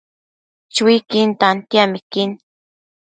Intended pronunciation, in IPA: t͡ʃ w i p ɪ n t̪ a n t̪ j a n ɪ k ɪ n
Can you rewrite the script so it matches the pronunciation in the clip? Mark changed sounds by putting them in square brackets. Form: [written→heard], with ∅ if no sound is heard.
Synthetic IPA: t͡ʃ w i [p→k] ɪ n t̪ a n t̪ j a [n→m] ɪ k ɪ n